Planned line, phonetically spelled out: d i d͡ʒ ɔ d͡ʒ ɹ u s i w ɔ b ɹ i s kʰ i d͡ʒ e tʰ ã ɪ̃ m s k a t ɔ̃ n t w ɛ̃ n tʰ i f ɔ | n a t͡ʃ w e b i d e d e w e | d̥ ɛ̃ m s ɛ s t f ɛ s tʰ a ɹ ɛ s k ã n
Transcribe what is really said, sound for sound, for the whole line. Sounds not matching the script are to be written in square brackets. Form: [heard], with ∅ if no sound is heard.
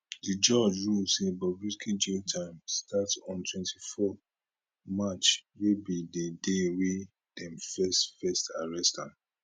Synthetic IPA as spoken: d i d͡ʒ ɔ d͡ʒ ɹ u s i [b] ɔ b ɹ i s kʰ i d͡ʒ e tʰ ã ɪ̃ m s [t] a t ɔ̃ n t w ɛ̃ n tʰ i f ɔ | [m] a t͡ʃ w e b i d e d e w e | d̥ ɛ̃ m [f] ɛ s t f ɛ s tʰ a ɹ ɛ s [t] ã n